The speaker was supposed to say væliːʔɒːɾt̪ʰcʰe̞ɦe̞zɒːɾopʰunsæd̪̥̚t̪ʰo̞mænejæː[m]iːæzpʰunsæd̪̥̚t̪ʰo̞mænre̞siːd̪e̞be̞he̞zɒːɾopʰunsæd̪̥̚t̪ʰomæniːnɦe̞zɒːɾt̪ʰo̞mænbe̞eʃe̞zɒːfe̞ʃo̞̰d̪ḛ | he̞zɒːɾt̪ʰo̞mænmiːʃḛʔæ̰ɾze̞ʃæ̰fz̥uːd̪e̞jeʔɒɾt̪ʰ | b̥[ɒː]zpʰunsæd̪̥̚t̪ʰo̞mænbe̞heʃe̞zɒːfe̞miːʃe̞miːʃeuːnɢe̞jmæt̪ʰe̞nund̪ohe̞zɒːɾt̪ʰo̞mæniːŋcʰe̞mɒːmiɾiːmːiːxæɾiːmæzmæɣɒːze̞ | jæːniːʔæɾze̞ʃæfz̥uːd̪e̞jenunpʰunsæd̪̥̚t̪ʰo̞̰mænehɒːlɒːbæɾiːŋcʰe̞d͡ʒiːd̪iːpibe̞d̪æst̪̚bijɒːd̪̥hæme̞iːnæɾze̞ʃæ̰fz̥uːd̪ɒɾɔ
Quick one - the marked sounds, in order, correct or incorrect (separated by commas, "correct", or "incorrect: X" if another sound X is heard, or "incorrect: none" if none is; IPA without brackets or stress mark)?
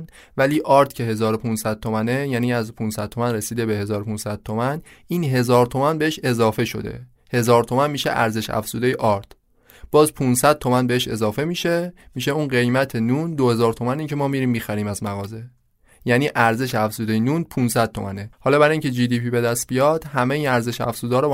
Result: incorrect: n, correct